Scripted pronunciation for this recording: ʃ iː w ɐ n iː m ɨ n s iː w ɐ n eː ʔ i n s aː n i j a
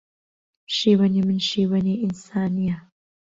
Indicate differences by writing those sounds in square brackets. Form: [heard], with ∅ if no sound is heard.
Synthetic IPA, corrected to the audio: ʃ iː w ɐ n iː m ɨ n [ʃ] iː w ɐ n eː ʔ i n s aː n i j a

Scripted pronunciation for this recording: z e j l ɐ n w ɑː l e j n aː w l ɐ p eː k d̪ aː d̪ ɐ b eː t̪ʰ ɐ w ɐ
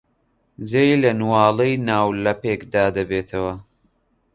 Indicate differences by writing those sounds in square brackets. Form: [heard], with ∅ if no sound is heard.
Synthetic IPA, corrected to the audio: z e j l ɐ n w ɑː l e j n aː w l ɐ p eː k d̪ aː d̪ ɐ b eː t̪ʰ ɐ w ɐ

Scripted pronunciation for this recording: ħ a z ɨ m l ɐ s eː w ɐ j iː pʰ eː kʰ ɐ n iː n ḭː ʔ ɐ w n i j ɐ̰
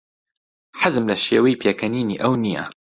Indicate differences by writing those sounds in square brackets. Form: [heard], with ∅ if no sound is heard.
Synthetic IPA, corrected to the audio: ħ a z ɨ m l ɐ [ʃ] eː w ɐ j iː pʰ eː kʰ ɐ n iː n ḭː ʔ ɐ w n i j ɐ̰

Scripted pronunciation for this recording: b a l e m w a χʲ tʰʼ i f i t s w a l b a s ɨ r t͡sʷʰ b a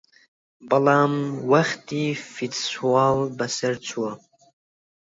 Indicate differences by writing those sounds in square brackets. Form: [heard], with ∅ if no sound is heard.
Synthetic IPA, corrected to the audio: b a l [a] m w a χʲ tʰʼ i f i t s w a l b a s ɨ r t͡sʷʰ [w] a

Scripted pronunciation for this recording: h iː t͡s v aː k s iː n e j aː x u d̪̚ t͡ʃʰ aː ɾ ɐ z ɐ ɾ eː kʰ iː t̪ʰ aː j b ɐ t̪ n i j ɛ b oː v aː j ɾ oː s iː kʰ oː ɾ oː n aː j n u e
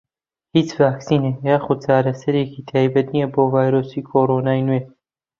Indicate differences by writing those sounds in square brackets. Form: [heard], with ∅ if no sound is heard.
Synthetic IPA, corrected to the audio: h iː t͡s v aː k s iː n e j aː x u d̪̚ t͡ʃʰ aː ɾ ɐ [s] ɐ ɾ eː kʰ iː t̪ʰ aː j b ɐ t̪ n i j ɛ b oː v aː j ɾ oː s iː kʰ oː ɾ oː n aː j n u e

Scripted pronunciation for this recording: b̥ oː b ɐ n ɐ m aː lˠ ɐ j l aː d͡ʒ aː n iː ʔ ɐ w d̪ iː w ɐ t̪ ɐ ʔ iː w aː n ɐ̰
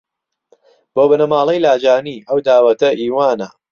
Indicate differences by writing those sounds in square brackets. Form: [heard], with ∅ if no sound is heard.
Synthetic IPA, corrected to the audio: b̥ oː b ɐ n ɐ m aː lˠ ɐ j l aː d͡ʒ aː n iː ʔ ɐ w d̪ [aː] w ɐ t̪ ɐ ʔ iː w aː n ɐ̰

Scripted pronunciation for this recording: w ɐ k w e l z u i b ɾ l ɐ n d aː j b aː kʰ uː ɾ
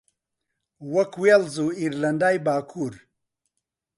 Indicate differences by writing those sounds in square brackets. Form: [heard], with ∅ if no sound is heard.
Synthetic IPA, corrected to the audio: w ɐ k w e l z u i [∅] ɾ l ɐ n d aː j b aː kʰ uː ɾ

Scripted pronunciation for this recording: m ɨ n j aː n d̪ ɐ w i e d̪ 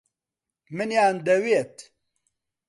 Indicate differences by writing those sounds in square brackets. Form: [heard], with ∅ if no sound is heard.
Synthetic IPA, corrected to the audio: m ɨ n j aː n d̪ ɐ w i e [t̪]

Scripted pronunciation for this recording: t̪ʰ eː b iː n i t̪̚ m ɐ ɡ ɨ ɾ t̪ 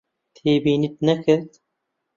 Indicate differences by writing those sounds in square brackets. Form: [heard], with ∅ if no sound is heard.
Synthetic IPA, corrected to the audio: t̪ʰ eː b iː n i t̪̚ [n] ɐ [k] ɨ ɾ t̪

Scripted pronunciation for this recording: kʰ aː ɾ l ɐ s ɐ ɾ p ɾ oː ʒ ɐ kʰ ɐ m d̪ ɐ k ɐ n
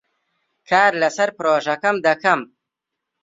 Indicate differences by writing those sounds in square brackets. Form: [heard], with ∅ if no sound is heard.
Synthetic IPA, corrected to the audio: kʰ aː ɾ l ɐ s ɐ ɾ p ɾ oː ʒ ɐ [k] ɐ m d̪ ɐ k ɐ [m]

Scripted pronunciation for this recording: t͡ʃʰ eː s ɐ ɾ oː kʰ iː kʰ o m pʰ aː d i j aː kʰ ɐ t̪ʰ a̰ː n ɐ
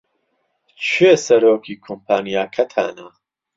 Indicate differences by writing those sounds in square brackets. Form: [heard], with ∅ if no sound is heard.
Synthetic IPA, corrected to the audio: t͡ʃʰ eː s ɐ ɾ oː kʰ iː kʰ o m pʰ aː [n] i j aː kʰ ɐ t̪ʰ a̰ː n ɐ

